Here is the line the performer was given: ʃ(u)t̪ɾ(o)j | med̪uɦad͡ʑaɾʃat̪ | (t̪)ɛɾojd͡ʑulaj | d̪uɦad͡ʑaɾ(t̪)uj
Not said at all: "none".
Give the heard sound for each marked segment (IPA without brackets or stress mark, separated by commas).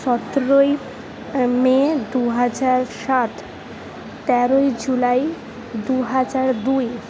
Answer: ɔ, o, t̪, d̪